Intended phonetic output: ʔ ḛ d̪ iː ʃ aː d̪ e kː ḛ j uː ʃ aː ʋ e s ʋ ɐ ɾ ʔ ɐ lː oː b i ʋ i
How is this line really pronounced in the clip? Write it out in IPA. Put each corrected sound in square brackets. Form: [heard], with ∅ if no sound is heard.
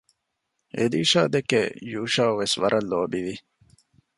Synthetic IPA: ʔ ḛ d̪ iː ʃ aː d̪ e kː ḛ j uː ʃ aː ʋ e s ʋ ɐ ɾ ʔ ɐ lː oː b i ʋ i